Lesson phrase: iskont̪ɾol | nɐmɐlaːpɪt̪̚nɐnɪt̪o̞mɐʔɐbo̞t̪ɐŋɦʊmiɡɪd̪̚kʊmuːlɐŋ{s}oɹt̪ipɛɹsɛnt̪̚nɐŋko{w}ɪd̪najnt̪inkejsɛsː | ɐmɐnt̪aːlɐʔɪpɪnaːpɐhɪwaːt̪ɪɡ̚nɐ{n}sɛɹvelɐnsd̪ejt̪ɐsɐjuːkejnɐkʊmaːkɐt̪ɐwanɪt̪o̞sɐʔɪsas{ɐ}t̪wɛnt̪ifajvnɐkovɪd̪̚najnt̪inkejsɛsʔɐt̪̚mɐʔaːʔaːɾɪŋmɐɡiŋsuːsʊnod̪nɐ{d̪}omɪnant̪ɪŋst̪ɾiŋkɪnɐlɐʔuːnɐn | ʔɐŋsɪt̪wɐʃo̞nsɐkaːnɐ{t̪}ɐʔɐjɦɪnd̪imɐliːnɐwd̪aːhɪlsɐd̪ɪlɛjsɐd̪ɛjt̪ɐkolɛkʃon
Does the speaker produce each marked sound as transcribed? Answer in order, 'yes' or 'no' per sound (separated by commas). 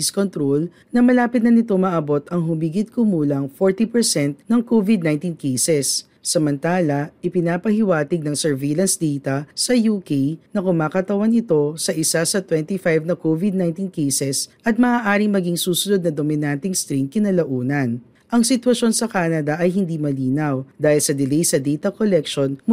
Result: no, no, no, yes, yes, no